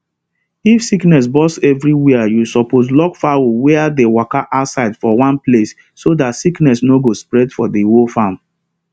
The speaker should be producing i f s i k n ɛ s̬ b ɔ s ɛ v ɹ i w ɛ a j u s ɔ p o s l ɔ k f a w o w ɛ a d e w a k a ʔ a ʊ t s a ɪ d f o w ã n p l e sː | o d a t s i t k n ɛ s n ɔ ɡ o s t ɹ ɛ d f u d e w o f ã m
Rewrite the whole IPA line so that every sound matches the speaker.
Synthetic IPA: i f s i k n ɛ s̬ b ɔ s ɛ v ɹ i w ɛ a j u s ɔ p o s l ɔ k f a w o w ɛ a d e w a k a ʔ a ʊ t s a ɪ d f ɔ w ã n p l e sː | o d a t s i k n ɛ s n o ɡ o s p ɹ ɛ d f ɔ d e w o f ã m